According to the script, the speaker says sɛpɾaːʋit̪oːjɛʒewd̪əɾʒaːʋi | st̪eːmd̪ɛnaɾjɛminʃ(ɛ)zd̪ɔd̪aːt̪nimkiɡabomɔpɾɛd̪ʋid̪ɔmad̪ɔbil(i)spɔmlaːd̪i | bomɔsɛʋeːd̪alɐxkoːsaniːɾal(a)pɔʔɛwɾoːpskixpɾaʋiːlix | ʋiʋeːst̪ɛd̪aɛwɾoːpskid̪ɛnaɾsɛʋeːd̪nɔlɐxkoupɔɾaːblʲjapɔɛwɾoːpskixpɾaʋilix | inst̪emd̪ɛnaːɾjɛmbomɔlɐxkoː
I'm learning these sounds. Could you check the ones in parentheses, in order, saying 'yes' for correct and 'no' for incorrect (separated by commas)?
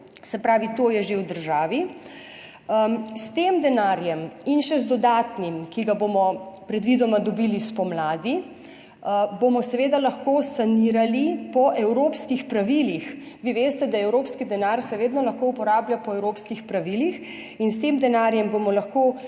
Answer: yes, yes, no